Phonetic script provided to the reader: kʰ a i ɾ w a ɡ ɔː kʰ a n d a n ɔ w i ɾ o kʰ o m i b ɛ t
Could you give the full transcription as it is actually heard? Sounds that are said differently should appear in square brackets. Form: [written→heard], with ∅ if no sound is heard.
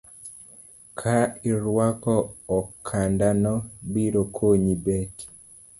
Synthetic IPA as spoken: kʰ a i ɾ w a [ɡ→k] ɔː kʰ a n d a n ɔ [w→b] i ɾ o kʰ o [m→ɲ] i b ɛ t